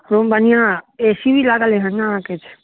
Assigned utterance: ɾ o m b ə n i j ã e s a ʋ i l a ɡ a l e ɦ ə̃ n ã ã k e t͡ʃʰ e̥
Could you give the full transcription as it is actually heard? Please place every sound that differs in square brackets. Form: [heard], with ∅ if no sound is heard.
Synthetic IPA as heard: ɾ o m b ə n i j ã e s [i] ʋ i l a ɡ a l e ɦ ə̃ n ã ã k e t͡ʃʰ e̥